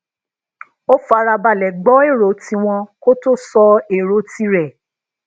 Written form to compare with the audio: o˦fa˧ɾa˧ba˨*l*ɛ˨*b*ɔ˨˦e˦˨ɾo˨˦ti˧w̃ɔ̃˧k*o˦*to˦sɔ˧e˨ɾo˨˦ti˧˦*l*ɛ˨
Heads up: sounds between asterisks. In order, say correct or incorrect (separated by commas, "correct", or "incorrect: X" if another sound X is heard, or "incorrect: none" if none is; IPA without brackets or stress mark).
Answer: correct, incorrect: ɡ͡b, correct, incorrect: ɾ